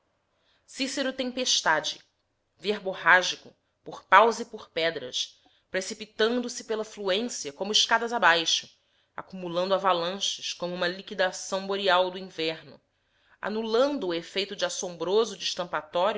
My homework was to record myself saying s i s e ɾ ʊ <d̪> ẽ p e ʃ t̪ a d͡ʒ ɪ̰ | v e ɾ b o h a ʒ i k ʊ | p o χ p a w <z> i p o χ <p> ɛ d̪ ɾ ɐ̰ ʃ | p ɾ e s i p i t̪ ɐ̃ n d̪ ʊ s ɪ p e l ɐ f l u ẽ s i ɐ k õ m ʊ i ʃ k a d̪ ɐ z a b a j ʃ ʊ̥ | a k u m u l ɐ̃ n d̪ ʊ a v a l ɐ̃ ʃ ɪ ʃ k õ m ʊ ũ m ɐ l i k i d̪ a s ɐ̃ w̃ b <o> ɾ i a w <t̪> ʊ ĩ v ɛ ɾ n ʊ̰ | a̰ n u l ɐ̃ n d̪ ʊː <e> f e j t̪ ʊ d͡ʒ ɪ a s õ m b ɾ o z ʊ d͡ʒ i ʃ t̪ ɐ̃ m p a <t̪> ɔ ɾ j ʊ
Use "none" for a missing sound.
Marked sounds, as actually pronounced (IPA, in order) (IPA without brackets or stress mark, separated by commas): t̪, z, p, o, d̪, e, t̪